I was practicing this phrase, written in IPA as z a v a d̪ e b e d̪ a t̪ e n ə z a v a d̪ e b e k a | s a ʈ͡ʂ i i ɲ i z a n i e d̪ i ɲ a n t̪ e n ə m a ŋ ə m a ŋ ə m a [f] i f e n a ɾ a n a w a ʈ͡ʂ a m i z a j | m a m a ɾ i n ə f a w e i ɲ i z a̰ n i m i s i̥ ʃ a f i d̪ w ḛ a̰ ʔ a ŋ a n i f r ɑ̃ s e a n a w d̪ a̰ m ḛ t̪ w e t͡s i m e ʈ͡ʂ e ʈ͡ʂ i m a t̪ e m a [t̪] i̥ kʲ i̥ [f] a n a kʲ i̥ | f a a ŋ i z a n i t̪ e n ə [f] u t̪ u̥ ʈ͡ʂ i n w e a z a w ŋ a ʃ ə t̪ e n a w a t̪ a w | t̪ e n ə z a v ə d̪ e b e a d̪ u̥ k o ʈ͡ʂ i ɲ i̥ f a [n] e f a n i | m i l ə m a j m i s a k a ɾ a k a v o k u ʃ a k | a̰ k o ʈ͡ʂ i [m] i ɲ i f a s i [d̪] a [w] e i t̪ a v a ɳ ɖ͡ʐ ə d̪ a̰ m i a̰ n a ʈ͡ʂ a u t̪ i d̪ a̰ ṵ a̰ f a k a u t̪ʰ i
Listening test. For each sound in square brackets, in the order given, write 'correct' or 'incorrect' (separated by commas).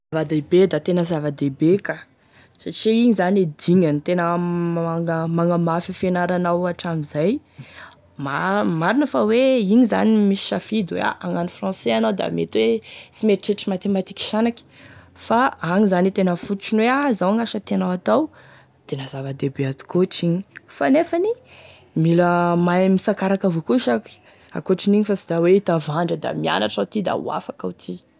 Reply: correct, correct, incorrect, correct, correct, incorrect, correct, correct